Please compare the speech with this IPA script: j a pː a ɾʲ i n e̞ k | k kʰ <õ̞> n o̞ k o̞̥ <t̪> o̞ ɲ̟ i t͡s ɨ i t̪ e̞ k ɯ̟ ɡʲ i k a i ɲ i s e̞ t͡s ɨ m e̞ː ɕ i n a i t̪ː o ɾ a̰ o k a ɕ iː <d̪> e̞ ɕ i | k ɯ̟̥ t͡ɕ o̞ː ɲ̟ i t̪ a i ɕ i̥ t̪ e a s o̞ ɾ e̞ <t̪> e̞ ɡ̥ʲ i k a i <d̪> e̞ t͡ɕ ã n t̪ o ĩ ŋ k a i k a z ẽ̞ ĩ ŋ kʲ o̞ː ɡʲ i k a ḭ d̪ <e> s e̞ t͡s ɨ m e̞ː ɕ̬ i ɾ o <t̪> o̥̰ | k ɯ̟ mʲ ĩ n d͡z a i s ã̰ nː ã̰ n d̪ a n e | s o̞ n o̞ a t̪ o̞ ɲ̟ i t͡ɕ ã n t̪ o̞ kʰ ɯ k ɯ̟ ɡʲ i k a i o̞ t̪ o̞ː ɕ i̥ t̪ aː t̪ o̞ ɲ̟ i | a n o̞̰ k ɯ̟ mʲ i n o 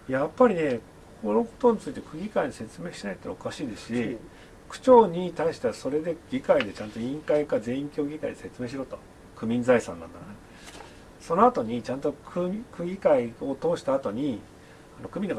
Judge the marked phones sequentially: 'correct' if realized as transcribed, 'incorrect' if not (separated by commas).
incorrect, correct, correct, incorrect, correct, correct, correct